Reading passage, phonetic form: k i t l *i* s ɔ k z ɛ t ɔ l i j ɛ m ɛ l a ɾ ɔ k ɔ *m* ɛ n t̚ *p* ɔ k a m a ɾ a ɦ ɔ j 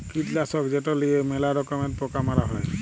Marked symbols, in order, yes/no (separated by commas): no, yes, yes